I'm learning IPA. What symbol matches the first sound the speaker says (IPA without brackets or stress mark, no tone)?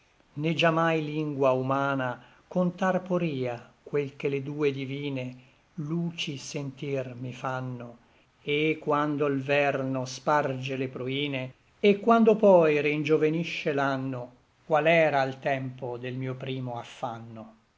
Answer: n